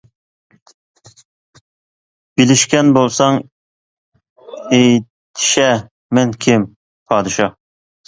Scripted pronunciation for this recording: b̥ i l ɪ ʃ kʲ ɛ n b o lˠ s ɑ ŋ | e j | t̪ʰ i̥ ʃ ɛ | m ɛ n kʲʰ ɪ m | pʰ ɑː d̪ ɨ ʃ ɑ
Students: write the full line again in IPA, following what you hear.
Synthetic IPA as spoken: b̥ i l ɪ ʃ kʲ ɛ n b o lˠ s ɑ ŋ | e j | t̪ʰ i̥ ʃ ɛ | m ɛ n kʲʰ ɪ m | pʰ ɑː d̪ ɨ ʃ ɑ